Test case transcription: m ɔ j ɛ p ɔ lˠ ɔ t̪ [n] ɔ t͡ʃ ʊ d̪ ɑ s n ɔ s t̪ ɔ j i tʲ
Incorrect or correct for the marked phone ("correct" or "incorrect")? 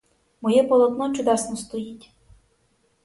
correct